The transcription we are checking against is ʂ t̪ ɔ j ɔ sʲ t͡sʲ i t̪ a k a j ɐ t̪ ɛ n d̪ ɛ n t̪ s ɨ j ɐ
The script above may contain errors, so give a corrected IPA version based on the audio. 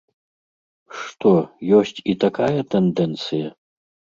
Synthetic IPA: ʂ t̪ ɔ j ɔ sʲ t͡sʲ i t̪ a k a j ɐ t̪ ɛ n d̪ ɛ n t̪ s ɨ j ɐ